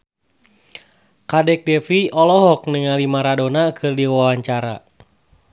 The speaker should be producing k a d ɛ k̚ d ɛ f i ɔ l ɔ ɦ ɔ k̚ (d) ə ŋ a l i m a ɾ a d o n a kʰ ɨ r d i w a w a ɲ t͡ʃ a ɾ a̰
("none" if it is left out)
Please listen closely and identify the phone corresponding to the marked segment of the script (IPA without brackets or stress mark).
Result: n